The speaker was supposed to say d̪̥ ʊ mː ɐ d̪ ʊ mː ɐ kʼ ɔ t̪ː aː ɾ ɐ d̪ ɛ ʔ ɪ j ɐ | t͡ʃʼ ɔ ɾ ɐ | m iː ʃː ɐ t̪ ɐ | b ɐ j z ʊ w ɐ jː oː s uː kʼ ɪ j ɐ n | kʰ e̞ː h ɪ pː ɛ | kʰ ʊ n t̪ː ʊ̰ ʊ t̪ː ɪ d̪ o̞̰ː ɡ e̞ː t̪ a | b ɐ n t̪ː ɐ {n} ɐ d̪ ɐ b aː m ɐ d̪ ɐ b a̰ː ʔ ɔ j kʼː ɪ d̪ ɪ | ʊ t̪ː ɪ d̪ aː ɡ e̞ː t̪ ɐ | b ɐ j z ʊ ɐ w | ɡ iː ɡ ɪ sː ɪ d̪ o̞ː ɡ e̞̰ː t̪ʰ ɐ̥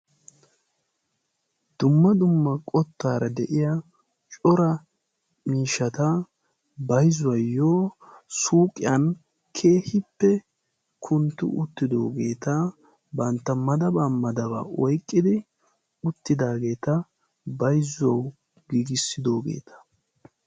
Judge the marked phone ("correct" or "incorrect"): incorrect